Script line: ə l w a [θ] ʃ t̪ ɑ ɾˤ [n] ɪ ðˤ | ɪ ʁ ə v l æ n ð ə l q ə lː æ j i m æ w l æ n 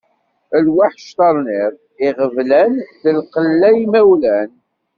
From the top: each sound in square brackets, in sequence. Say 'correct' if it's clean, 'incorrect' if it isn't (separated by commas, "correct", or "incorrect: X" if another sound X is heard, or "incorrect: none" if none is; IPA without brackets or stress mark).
incorrect: ħ, correct